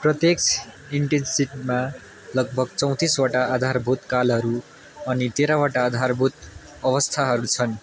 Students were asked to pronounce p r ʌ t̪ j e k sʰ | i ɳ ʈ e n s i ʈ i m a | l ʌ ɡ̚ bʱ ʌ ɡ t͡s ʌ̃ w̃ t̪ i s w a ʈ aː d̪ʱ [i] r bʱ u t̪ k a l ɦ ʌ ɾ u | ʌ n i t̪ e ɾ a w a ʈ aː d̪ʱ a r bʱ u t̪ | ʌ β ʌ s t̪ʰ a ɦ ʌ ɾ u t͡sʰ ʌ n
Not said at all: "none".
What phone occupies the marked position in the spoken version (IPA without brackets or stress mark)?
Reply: a